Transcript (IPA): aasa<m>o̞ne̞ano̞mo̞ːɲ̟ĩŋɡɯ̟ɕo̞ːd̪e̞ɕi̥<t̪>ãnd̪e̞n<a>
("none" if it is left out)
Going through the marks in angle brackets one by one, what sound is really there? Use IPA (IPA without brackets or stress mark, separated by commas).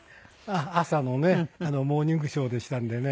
n, t̪, e